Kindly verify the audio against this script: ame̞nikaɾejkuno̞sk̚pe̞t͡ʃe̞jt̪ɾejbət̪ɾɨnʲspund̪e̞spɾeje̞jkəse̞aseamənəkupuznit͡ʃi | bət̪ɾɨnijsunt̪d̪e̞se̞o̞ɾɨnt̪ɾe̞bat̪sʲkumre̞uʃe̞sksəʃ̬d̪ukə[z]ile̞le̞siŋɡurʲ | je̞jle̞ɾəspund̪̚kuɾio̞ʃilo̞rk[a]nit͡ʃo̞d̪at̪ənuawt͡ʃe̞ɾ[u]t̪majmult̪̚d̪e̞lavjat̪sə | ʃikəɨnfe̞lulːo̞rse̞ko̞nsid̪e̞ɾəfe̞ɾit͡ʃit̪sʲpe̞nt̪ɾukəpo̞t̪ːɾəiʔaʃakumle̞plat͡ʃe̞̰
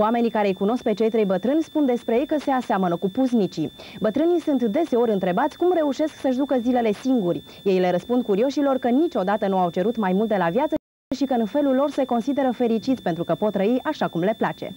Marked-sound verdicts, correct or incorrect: correct, incorrect, correct

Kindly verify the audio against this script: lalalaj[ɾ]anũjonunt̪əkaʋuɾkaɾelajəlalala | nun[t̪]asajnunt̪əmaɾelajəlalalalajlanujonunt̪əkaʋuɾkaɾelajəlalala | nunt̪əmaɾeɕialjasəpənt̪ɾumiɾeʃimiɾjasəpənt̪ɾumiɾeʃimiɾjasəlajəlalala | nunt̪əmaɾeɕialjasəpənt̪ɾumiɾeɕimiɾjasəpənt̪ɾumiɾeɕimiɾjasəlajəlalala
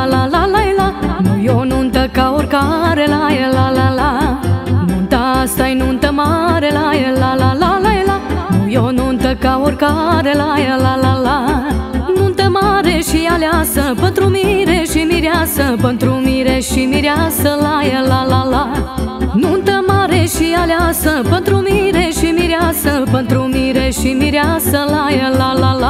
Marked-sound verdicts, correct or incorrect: incorrect, correct

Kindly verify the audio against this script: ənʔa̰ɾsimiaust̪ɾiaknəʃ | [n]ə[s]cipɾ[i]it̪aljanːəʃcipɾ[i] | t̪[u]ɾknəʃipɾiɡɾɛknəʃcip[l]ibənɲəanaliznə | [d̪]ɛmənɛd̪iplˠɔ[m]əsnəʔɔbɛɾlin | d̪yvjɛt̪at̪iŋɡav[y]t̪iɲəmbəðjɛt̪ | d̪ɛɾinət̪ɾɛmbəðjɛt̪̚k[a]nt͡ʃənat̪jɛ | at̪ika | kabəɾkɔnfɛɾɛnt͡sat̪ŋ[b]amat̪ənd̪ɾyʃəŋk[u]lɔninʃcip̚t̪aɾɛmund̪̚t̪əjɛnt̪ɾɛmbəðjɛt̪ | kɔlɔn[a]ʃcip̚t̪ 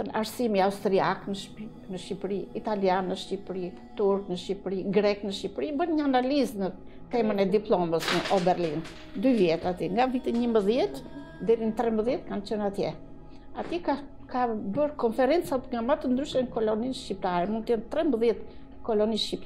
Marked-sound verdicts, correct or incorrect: correct, incorrect, correct, correct, correct, incorrect, incorrect, correct, incorrect, correct, incorrect, incorrect, incorrect

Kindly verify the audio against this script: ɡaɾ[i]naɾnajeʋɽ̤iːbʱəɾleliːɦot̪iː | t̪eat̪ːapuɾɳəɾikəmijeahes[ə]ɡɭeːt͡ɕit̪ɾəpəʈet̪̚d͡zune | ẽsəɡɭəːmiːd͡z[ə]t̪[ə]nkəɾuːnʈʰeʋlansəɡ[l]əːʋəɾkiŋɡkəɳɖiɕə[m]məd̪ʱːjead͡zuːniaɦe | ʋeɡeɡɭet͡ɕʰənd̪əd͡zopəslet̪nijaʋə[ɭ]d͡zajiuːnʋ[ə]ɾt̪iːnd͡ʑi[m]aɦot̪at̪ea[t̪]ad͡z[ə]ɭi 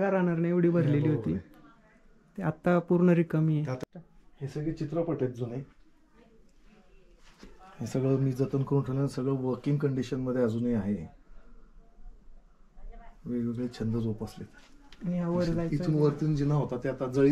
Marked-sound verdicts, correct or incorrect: incorrect, correct, correct, correct, incorrect, incorrect, incorrect, correct, incorrect, correct, correct

